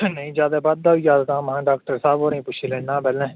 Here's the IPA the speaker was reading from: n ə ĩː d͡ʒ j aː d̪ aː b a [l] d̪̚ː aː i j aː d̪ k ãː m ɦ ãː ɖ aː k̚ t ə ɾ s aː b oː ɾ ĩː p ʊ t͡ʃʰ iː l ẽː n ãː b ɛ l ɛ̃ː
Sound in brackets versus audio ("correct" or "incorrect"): incorrect